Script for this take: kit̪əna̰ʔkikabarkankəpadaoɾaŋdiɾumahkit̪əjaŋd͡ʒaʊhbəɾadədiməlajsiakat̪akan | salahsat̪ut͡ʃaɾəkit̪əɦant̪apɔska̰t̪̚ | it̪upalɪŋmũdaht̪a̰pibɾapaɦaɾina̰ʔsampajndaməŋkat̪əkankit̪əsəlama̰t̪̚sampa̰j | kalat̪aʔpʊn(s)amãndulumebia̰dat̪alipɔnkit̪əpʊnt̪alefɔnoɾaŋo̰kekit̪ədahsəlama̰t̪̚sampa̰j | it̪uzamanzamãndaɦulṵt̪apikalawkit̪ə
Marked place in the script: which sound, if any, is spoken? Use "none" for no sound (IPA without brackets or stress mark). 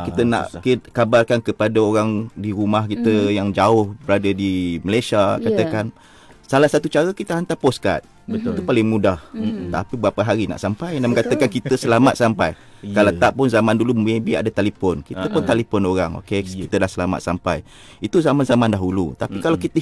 z